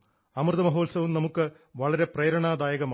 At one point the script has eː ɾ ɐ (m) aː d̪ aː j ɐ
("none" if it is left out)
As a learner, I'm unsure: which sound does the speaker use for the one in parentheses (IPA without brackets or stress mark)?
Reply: ɳ